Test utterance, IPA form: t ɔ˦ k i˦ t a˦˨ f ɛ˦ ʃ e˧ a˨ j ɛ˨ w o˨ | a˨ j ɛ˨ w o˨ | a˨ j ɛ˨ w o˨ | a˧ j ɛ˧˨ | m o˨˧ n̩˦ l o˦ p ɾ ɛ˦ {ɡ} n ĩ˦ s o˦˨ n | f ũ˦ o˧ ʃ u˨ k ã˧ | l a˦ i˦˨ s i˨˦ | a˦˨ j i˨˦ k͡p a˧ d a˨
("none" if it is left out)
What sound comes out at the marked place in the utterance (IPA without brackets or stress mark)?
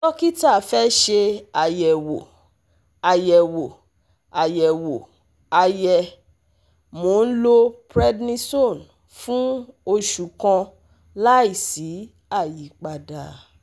d